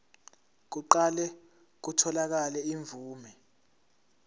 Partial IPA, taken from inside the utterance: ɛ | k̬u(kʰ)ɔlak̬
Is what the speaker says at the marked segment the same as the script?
no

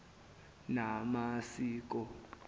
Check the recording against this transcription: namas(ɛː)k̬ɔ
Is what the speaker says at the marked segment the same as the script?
no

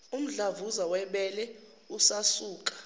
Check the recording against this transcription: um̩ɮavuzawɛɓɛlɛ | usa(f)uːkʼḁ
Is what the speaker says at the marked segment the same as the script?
no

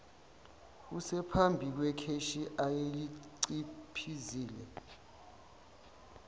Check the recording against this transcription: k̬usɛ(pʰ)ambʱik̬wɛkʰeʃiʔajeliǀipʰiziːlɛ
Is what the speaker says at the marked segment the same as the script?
yes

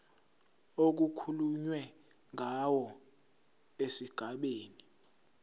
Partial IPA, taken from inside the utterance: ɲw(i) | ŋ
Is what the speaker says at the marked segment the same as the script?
no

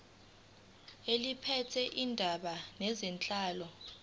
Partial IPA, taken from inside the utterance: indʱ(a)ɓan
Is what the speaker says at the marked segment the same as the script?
yes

